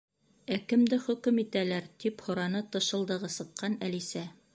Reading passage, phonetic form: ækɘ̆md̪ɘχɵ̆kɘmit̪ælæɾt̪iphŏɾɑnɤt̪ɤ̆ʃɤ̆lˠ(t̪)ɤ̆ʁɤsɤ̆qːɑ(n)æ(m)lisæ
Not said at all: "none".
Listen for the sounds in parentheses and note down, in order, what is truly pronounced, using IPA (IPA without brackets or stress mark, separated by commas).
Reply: d̪, n, none